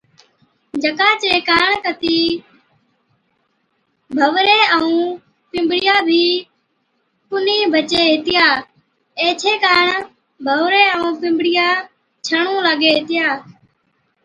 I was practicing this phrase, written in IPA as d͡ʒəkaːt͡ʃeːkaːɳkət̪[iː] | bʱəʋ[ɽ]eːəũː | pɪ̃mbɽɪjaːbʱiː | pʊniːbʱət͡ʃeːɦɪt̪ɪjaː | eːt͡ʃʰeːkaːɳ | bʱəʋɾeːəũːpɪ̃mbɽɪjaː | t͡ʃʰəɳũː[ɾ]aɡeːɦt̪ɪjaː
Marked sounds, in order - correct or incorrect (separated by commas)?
correct, incorrect, incorrect